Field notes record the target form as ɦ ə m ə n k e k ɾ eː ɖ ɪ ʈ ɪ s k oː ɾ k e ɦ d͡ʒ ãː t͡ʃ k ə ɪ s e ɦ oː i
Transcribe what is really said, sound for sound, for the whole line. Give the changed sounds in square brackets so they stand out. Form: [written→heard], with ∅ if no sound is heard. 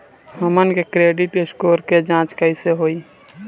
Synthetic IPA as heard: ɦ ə m ə n k e k ɾ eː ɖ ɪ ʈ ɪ s k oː ɾ k e [ɦ→∅] d͡ʒ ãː t͡ʃ k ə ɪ s e ɦ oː i

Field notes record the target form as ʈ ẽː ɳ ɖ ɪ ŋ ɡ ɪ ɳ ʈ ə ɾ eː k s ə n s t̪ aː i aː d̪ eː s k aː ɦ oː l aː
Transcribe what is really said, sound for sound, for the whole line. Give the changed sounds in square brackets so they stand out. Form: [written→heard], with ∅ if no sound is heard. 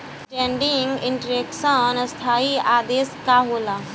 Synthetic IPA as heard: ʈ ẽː ɳ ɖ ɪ ŋ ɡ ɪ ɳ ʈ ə ɾ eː k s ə n s [t̪→t̪ʰ] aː i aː d̪ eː s k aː ɦ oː l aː

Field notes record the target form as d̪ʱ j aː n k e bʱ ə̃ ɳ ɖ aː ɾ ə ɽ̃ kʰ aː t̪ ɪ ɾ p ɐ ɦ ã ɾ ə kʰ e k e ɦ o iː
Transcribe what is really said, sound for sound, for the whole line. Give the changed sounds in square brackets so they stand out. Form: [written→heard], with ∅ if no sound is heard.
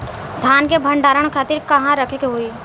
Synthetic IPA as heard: d̪ʱ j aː n k e bʱ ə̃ ɳ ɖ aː ɾ ə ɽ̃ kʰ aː t̪ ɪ ɾ [p→k] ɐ ɦ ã ɾ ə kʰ e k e ɦ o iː

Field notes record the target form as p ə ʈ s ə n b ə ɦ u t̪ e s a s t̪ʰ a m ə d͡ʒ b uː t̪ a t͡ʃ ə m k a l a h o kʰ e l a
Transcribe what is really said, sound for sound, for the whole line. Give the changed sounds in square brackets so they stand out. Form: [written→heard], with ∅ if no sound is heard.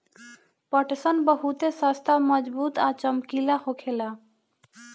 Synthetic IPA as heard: p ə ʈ s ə n b ə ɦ u t̪ e s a s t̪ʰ a m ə d͡ʒ b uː t̪ a t͡ʃ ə m k [a→i] l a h o kʰ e l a

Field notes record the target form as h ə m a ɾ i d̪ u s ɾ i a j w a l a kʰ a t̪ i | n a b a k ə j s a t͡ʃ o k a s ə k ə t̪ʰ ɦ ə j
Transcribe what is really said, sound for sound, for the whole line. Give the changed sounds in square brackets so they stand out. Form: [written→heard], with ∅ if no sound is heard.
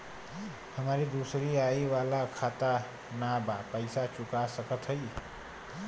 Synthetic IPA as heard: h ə m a ɾ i d̪ u s ɾ i a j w a l a kʰ a t̪ [i→a] | n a b a [k→p] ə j s a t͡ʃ [o→u] k a s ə k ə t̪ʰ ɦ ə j

